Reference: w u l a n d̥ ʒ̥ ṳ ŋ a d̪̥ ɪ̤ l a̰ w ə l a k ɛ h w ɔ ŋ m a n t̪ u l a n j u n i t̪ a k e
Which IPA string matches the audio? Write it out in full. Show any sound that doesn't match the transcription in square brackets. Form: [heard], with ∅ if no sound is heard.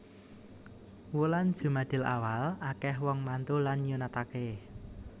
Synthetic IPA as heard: w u l a n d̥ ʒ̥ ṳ [m] a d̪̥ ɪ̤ l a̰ w [a] l a k ɛ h w ɔ ŋ m a n t̪ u l a n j u n [a] t̪ a k e